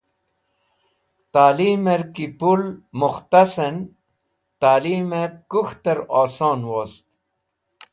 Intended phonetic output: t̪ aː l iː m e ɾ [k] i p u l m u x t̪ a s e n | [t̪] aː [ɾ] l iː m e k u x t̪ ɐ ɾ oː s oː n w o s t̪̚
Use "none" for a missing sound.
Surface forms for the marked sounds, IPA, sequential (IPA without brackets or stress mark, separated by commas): k, t̪, none